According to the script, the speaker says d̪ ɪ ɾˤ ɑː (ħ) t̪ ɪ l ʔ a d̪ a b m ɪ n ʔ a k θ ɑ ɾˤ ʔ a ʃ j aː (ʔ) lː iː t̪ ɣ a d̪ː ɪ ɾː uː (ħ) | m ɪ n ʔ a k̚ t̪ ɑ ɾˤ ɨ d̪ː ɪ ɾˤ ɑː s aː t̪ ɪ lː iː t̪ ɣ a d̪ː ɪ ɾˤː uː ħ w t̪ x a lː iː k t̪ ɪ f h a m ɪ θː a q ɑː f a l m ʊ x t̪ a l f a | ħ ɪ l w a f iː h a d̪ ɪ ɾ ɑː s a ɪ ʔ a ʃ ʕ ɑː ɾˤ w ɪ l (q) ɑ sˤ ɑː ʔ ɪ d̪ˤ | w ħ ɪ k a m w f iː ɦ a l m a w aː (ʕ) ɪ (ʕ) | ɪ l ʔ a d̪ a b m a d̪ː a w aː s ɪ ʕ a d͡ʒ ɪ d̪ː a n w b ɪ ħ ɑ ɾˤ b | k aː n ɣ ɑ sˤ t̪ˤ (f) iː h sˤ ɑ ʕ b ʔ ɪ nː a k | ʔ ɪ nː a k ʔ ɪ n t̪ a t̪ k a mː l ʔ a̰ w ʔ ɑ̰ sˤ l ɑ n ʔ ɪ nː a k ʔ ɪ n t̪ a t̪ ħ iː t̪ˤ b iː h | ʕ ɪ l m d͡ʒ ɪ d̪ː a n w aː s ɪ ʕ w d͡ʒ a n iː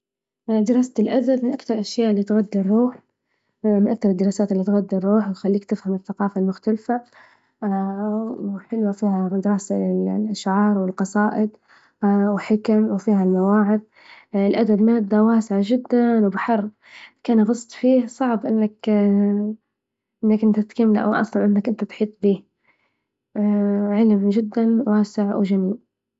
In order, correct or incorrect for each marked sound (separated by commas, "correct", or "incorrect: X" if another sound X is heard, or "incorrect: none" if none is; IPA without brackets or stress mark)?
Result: incorrect: s, correct, correct, correct, correct, incorrect: ð, correct